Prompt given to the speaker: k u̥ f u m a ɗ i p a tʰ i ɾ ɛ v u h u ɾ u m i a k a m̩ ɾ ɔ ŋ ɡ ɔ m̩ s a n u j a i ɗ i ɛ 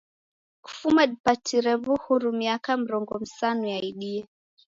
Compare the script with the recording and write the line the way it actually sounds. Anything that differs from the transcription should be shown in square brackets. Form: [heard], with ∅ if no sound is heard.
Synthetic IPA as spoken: k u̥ f u m a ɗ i p a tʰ i ɾ ɛ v u h u ɾ u m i a k a m̩ ɾ ɔ ŋ ɡ ɔ m̩ s a n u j a i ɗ i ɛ